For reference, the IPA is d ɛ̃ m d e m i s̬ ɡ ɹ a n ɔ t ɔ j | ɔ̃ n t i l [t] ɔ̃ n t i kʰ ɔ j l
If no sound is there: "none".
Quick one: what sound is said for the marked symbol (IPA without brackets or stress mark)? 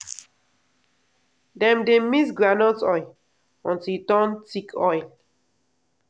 t